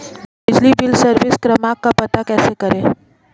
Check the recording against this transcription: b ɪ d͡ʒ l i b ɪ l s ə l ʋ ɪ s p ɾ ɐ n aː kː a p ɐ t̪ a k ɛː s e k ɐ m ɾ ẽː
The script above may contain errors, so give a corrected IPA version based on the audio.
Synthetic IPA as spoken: b ɪ d͡ʒ l i b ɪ l s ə ɾ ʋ ɪ s k ɾ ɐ m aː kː a p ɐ t̪ a k ɛː s e k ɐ ɾ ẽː

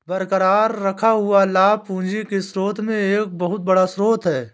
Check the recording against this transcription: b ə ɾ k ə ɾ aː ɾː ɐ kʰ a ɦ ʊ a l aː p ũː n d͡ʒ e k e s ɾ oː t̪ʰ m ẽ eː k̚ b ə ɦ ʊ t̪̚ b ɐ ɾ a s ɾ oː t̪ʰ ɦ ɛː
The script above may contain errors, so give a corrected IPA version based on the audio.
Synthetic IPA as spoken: b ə ɾ k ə ɾ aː ɾː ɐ kʰ a ɦ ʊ a l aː p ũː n d͡ʒ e k e s ɾ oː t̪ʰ m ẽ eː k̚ b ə ɦ ʊ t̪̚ b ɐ ɽ a s ɾ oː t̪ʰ ɦ ɛː

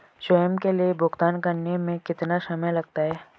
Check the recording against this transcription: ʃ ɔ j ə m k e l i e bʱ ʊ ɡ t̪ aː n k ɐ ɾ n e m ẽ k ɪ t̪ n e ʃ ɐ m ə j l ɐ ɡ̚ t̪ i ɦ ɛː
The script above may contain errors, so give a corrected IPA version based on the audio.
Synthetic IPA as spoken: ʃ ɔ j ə m k e l i e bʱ ʊ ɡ t̪ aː n k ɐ ɾ n e m ẽ k ɪ t̪ n a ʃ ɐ m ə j l ɐ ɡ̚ t̪ a ɦ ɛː

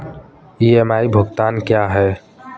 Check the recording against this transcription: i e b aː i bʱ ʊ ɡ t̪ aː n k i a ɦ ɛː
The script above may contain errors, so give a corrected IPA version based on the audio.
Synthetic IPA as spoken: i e m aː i bʱ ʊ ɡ t̪ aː n k j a ɦ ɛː

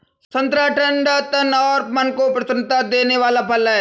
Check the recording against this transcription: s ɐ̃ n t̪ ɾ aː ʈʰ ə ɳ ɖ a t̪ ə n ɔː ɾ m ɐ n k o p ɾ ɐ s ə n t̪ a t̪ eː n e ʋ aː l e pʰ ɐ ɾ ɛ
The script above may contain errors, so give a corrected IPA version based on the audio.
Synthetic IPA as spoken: s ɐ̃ n t̪ ɾ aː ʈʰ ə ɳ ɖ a t̪ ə n ɔː ɾ m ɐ n k o p ɾ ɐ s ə n t̪ a d̪ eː n e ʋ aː l a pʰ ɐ l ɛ

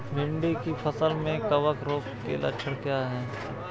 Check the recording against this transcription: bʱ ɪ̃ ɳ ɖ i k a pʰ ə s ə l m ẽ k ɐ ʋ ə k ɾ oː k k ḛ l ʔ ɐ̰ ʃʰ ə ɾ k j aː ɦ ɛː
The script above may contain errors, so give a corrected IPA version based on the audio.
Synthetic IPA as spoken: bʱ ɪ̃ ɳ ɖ i k i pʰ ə s ə l m ẽ k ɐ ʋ ə k ɾ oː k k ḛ l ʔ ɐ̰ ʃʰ ə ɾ k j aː ɦ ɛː

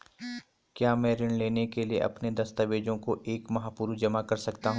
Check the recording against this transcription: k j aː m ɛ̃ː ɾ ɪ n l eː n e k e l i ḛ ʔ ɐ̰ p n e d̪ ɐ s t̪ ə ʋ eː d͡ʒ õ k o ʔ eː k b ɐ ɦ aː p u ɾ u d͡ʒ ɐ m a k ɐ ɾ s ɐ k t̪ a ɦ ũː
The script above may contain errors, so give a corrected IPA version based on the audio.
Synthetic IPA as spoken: k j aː m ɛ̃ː ɾ ɪ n l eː n e k e l i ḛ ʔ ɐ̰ p n e d̪ ɐ s t̪ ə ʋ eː d͡ʒ õ k o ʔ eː k m ɐ ɦ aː p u ɾ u d͡ʒ ɐ m a k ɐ ɾ s ɐ k t̪ a ɦ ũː

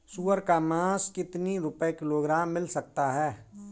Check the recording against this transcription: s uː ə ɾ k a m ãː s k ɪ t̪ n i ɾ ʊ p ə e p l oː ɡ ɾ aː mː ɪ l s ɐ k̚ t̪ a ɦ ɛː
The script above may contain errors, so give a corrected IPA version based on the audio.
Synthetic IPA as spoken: s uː ə ɾ k a m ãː s k ɪ t̪ n i ɾ ʊ p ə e k l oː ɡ ɾ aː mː ɪ l s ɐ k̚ t̪ a ɦ ɛː

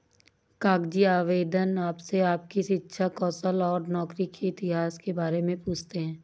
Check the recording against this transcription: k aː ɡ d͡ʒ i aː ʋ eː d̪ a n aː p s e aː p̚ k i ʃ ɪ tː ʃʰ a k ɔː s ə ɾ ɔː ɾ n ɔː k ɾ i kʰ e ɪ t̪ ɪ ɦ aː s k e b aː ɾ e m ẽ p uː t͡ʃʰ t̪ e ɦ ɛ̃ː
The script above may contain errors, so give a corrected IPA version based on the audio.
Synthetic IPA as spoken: k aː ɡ d͡ʒ i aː ʋ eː d̪ ə n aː p s e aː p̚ k i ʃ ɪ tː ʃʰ a k ɔː s ə l ɔː ɾ n ɔː k ɾ i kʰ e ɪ t̪ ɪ ɦ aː s k e b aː ɾ e m ẽ p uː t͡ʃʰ t̪ e ɦ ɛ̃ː

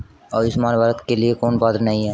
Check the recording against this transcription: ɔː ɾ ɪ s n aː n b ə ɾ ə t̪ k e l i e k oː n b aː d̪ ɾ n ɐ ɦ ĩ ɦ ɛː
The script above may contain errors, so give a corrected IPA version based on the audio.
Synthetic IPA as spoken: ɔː ɾ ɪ s m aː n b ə ɾ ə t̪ k e l i e k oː n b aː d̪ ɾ n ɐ ɦ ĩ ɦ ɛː

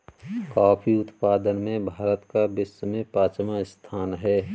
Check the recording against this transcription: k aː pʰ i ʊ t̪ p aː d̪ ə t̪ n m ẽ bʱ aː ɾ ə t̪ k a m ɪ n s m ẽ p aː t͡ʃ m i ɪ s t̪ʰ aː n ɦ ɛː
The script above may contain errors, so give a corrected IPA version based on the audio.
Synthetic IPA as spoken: k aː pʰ i ʊ t̪ p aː d̪ ə n m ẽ bʱ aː ɾ ə t̪ k a b ɪ s m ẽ p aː t͡ʃ m a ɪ s t̪ʰ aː n ɦ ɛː

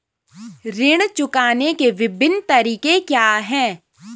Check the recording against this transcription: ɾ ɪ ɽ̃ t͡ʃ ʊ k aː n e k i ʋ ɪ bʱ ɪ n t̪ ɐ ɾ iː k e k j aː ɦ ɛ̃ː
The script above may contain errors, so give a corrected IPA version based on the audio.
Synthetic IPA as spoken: ɾ ɪ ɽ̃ t͡ʃ ʊ k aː n e k e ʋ ɪ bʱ ɪ n t̪ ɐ ɾ iː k e k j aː ɦ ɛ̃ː

